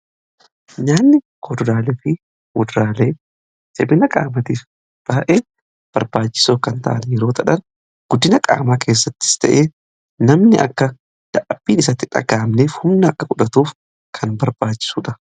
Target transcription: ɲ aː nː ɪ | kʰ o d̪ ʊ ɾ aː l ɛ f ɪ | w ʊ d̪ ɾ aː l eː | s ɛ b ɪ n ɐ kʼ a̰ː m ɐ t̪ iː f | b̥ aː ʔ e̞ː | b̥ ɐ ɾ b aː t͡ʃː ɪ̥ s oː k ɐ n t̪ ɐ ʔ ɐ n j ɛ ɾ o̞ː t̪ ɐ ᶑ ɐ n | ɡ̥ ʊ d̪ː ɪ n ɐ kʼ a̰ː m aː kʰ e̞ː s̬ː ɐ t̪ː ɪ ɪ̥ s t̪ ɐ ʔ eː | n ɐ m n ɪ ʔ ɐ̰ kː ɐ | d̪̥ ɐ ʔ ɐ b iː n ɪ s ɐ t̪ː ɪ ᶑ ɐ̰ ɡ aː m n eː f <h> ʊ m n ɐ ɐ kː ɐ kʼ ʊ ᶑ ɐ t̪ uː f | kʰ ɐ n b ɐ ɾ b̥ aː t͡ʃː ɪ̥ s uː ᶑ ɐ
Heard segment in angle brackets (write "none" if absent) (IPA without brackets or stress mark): h